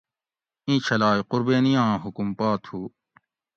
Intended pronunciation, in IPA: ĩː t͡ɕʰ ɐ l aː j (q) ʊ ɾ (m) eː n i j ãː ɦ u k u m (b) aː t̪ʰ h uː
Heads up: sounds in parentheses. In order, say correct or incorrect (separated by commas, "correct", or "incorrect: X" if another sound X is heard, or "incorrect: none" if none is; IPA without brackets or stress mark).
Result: correct, incorrect: b, incorrect: p